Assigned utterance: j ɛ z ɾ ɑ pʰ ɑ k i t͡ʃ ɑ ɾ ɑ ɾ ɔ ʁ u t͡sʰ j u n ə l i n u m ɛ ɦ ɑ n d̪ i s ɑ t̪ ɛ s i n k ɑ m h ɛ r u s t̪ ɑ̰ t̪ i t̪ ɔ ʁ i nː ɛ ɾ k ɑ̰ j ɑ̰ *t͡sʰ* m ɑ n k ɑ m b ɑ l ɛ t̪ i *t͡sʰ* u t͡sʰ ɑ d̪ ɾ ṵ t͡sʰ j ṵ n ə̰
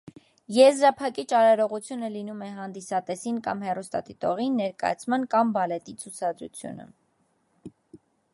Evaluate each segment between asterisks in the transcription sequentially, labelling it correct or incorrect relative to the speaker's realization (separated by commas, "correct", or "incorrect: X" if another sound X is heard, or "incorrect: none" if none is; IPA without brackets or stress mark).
correct, correct